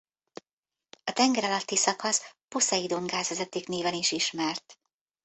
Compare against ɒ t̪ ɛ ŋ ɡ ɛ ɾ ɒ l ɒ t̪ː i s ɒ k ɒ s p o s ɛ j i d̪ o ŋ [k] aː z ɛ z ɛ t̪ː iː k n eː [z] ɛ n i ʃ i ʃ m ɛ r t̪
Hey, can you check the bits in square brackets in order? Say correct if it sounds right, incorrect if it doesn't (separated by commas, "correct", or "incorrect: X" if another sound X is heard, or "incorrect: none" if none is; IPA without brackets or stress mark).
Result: incorrect: ɡ, incorrect: v